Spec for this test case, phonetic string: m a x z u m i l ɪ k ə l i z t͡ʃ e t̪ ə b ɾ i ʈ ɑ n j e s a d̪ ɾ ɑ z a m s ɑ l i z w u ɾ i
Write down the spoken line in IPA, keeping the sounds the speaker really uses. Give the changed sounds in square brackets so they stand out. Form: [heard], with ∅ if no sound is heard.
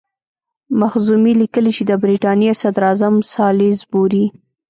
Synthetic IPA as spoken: m a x z u m i l [i] k ə l i [∅] t͡ʃ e [d̪] ə b ɾ i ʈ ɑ n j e s a d̪ ɾ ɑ z a m s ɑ l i z [b] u ɾ i